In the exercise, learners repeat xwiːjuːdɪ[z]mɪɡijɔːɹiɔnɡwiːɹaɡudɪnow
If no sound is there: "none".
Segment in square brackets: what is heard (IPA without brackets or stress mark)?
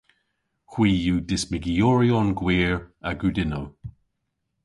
s